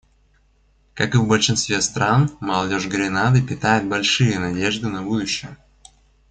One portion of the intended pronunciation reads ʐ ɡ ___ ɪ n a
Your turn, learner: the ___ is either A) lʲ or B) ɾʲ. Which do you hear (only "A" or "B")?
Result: B